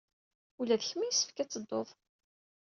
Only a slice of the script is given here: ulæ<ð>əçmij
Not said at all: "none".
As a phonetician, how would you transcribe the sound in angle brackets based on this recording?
ð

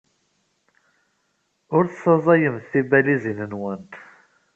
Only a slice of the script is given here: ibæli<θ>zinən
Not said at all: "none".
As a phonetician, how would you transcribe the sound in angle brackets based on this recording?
none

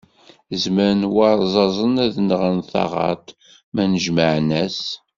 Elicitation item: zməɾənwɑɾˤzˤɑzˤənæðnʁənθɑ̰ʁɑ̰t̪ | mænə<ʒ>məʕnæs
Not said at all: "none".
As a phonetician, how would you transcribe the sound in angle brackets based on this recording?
ʒ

